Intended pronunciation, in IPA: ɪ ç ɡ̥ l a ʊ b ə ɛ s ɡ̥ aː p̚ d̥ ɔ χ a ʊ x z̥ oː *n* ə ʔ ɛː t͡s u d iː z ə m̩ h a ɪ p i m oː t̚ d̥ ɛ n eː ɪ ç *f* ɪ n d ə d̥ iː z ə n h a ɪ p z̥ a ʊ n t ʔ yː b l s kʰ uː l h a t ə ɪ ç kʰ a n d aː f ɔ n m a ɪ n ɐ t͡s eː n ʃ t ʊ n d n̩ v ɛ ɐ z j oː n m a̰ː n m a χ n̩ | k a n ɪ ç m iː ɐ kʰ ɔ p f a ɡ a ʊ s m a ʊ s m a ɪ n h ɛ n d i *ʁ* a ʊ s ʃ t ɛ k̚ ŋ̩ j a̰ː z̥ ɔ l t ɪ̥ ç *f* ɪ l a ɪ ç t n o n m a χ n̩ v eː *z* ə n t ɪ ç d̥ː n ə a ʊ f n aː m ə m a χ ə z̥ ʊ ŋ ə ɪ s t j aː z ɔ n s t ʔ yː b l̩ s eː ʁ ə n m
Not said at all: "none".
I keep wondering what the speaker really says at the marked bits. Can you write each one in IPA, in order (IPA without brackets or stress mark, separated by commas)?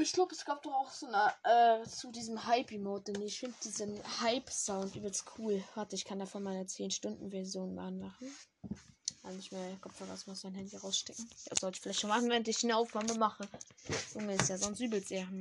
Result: n, f, ʁ, f, ʁ